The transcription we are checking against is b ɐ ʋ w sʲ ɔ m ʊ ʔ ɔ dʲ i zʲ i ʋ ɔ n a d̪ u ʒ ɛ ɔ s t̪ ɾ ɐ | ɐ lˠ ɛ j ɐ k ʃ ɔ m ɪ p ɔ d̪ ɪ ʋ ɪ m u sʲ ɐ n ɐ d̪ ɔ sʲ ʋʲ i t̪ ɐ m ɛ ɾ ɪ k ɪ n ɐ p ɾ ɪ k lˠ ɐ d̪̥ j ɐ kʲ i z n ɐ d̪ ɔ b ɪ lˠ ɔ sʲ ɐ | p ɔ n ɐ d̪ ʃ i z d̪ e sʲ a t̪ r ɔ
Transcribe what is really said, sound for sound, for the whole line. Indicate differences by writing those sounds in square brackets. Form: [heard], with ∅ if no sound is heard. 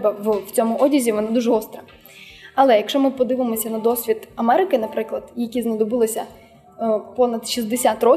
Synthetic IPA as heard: b ɐ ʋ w [t͡sʲ] ɔ m ʊ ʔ ɔ dʲ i zʲ i ʋ ɔ n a d̪ u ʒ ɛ ɔ s t̪ ɾ ɐ | ɐ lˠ ɛ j ɐ k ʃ ɔ m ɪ p ɔ d̪ ɪ ʋ ɪ m [ɔ] sʲ ɐ n ɐ d̪ ɔ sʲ ʋʲ i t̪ ɐ m ɛ ɾ ɪ k ɪ n ɐ p ɾ ɪ k lˠ ɐ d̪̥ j ɐ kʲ i z n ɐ d̪ ɔ b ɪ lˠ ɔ sʲ ɐ | p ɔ n ɐ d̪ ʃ i z d̪ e sʲ a t̪ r ɔ